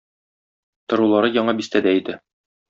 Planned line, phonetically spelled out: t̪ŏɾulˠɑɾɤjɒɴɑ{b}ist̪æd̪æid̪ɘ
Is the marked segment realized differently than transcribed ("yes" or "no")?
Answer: no